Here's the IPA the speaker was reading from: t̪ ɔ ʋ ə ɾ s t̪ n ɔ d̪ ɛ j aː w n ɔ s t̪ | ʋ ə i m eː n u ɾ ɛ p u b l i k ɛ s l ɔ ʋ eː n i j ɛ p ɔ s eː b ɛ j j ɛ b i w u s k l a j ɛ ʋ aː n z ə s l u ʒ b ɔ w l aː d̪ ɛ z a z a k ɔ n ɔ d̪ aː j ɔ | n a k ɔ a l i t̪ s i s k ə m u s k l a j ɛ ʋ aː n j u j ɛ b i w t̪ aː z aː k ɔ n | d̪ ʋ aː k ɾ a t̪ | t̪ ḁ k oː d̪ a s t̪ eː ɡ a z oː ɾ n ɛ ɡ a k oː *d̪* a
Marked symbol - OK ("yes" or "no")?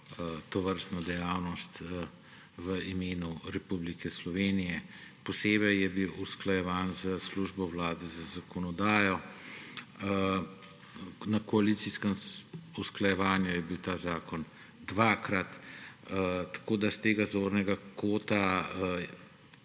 no